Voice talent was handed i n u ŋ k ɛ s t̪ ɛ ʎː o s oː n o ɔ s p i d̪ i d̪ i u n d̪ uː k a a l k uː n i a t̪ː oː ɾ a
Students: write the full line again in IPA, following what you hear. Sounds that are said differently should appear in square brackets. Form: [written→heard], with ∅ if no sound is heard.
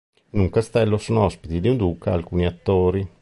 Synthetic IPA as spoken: i n u ŋ k [ɛ→a] s t̪ ɛ [ʎː→lː] o s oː n o ɔ s p i [d̪→t̪] i d̪ i u n d̪ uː k a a l k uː n i a t̪ː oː ɾ [a→i]